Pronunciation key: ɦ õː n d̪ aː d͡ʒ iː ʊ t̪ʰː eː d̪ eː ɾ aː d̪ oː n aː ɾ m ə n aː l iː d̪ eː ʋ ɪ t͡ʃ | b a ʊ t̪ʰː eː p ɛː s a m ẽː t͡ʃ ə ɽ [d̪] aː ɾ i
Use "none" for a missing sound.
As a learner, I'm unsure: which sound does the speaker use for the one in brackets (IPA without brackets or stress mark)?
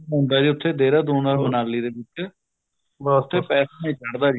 d̪